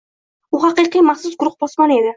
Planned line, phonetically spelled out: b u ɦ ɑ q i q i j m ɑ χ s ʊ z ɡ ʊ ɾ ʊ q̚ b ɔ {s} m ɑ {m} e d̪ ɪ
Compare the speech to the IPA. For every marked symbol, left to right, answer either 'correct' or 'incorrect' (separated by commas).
correct, incorrect